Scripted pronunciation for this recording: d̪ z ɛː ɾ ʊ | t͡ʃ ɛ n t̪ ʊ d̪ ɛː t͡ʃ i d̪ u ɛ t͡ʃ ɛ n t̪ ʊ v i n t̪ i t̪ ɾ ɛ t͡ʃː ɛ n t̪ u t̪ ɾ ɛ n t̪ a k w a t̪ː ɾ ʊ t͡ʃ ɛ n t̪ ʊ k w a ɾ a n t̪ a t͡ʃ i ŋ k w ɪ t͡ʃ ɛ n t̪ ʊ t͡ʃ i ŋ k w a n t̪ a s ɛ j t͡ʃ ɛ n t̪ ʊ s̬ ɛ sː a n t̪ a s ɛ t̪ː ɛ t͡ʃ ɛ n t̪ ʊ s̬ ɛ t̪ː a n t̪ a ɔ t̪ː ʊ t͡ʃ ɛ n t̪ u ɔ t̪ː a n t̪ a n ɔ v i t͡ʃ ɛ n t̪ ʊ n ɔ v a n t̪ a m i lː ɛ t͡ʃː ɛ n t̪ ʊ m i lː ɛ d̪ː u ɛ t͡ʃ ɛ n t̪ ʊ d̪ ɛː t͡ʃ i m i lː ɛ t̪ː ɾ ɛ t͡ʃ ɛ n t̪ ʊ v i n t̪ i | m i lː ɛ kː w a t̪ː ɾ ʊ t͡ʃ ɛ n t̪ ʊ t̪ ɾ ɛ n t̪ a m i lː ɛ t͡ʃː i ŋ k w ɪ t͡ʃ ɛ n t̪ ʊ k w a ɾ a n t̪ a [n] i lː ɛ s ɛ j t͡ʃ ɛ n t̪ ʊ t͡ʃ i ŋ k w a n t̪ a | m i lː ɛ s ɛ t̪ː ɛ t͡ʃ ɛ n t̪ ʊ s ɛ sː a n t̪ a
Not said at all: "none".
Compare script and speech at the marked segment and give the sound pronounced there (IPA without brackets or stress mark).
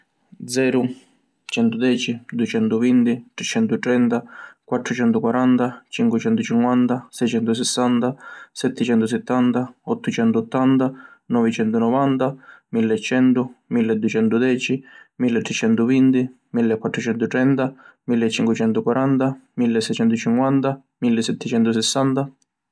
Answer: m